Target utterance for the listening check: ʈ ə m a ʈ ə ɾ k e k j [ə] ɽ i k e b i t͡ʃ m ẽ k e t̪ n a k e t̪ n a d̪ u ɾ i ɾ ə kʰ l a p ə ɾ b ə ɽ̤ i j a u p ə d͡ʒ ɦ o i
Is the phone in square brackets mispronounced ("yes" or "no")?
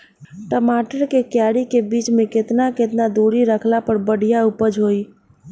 yes